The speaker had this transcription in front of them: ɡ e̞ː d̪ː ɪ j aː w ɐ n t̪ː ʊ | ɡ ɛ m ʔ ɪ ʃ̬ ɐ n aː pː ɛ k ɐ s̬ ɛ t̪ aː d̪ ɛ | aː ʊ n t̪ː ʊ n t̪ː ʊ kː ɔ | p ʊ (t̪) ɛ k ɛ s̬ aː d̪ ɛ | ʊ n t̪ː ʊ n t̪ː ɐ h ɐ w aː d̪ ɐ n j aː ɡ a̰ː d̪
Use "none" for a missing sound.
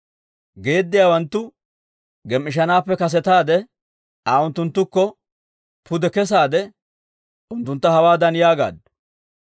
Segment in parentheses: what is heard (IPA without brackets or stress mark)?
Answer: d̪